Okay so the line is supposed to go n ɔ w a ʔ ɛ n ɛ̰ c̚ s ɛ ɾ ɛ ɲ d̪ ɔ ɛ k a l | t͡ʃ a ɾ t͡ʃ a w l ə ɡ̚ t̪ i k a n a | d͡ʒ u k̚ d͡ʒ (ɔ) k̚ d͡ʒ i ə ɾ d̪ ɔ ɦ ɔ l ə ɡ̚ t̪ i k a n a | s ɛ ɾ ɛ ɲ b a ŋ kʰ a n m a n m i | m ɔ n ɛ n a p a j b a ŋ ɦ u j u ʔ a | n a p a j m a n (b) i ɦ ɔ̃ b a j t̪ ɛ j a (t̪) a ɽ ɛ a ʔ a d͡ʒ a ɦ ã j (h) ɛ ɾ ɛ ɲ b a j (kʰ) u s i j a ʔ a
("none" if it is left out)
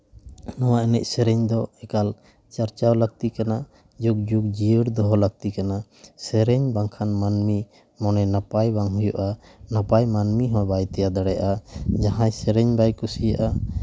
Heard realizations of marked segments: u, m, d̪, s, k

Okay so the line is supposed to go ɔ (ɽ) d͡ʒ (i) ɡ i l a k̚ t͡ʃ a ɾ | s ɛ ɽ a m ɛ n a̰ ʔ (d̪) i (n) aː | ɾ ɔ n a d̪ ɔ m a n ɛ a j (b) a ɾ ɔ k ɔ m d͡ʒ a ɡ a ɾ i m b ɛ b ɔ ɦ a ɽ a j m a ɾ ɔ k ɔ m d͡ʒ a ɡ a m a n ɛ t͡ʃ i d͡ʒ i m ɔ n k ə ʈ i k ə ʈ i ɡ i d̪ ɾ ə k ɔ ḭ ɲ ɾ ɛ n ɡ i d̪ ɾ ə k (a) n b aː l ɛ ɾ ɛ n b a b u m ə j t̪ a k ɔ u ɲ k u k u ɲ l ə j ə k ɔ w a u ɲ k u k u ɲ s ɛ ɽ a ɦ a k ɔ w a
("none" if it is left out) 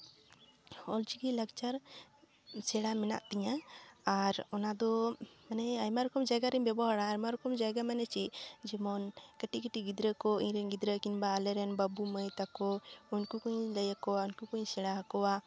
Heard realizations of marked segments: l, i, t̪, ɲ, m, i

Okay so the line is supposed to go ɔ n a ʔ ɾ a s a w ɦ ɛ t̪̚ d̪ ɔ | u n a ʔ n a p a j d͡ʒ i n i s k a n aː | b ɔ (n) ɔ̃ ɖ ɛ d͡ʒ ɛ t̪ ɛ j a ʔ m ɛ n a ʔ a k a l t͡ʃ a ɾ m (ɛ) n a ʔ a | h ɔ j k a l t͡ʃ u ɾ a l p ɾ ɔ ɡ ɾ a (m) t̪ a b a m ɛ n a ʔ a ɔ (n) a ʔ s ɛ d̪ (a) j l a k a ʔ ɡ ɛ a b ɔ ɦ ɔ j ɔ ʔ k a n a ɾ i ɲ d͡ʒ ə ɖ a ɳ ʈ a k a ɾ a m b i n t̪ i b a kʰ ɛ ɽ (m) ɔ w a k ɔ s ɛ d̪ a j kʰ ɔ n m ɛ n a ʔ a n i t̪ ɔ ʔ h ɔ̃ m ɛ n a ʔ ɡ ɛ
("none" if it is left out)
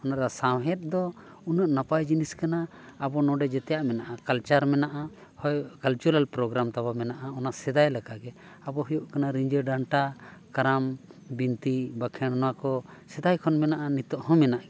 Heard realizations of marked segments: n, ɛ, m, n, a, n

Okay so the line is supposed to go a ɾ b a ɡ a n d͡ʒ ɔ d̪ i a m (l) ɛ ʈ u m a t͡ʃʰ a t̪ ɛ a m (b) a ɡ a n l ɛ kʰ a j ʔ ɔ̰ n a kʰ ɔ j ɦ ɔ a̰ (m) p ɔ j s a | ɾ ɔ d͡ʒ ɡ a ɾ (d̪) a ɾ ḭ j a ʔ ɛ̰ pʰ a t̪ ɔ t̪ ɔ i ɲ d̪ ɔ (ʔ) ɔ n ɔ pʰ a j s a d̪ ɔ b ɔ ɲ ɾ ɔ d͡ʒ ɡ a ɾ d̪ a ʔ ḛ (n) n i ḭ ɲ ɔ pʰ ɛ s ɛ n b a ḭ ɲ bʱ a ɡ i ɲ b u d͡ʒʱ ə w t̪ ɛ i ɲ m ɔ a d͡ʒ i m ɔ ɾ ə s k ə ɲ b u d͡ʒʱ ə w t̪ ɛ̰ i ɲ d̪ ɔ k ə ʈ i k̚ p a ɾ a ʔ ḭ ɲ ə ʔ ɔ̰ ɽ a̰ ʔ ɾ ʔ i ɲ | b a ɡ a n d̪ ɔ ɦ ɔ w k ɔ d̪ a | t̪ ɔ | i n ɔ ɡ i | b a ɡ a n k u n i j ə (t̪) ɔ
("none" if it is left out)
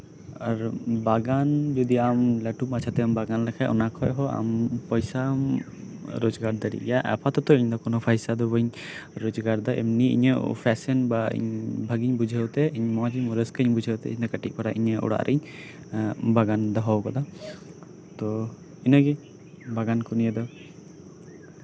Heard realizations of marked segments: l, b, m, d̪, k, m, d̪

